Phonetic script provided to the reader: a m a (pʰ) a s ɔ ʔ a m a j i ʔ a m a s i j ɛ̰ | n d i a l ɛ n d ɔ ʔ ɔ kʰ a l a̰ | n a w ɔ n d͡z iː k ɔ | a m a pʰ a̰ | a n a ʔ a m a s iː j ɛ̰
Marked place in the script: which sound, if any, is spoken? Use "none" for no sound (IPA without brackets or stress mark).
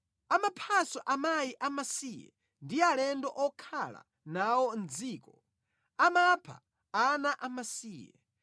pʰ